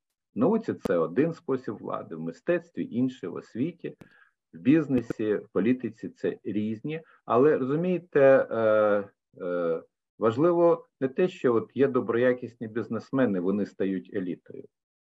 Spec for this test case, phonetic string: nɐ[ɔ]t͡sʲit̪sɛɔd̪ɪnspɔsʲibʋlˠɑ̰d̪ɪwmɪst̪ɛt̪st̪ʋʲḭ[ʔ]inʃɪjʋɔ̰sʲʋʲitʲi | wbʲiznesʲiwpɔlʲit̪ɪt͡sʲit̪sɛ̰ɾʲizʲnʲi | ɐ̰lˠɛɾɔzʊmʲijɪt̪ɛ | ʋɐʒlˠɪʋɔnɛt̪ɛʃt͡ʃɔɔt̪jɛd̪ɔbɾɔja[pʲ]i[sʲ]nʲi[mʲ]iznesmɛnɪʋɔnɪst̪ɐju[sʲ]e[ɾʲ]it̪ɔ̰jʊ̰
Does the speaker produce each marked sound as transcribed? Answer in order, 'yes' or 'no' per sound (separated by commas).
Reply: no, yes, no, yes, no, no, no